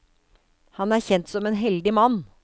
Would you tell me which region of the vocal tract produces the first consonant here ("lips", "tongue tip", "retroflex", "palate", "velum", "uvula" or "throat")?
throat